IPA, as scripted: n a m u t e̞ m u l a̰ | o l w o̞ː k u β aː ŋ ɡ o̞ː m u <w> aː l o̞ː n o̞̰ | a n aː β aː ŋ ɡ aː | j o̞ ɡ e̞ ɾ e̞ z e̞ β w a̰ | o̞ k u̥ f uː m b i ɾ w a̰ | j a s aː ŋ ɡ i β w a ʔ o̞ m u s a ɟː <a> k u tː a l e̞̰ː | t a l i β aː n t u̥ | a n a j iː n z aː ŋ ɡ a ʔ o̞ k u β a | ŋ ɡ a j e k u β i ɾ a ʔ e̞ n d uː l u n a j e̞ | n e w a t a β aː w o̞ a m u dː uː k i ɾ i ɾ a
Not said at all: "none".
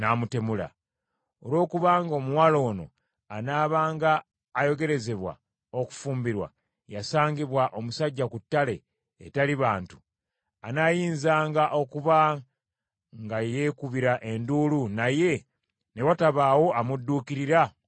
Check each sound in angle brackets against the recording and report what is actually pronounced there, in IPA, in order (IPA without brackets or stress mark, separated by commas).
w, a